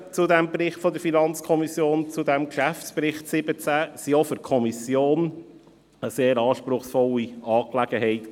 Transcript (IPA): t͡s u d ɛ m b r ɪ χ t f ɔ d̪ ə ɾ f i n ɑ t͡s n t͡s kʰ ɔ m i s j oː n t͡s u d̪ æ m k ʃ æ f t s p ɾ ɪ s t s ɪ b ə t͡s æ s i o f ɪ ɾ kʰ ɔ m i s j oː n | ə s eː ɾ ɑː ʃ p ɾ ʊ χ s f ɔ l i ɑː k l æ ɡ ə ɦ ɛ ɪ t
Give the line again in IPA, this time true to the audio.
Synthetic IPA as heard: t͡s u d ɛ m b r ɪ χ t f ɔ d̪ ə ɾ f i n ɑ n t͡s kʰ ɔ m i s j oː n t͡s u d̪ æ m k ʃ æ f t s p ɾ ɪ χ t s ɪ b ə t͡s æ s i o f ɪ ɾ kʰ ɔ m i s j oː n | ə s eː ɾ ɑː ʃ p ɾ ʊ χ s f ɔ l i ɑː k l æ ɡ ə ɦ ɛ ɪ t